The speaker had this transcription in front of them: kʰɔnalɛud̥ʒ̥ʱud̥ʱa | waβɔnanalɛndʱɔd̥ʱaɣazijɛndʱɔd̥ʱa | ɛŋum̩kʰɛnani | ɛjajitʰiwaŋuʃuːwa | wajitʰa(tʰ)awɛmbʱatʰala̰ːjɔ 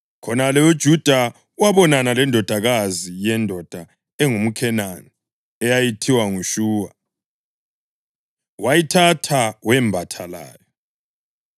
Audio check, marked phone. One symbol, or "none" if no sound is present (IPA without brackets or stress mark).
tʰ